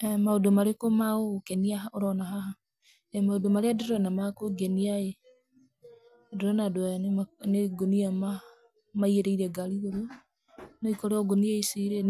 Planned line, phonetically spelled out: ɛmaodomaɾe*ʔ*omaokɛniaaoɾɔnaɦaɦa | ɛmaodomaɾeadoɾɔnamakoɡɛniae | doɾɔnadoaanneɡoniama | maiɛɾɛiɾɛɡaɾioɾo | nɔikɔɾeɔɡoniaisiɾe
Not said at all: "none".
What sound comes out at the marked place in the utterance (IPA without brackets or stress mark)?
k